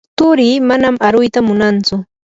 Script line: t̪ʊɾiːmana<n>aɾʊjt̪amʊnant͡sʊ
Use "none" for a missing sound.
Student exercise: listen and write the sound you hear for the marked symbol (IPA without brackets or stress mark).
m